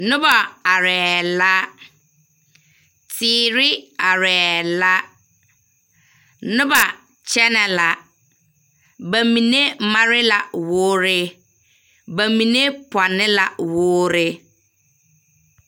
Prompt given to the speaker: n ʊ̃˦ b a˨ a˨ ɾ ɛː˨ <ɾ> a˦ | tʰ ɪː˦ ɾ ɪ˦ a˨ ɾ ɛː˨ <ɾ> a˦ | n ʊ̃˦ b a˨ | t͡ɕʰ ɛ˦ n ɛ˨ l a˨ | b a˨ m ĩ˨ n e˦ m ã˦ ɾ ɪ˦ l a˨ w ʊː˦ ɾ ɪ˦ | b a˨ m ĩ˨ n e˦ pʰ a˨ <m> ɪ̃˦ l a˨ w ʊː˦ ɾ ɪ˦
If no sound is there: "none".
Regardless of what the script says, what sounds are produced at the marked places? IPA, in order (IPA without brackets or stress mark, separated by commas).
l, l, n